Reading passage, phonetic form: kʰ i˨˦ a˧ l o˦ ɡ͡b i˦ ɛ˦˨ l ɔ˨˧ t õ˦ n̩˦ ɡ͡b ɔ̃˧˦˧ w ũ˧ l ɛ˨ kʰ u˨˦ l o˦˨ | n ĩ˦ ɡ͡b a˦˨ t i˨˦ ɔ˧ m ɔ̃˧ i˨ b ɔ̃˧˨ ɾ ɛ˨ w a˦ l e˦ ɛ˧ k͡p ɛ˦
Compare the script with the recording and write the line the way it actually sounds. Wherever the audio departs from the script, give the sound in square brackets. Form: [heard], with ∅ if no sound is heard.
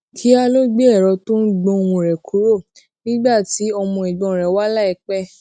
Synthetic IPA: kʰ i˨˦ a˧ l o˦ ɡ͡b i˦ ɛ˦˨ [ɾ] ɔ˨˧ t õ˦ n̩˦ ɡ͡b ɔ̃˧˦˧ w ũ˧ [ɾ] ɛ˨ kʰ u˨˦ [ɾ] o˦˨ | n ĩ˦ ɡ͡b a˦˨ t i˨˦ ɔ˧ m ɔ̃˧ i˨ [ɡ͡b] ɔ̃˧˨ ɾ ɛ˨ w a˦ l [a˦] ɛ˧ k͡p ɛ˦